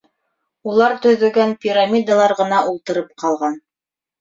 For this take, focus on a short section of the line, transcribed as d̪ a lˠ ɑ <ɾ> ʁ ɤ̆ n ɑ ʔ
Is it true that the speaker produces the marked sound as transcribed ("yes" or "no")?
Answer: yes